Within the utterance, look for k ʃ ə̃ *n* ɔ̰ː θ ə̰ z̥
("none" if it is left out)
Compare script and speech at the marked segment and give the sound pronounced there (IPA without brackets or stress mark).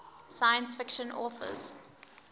n